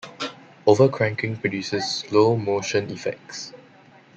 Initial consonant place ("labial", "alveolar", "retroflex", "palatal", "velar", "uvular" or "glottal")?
labial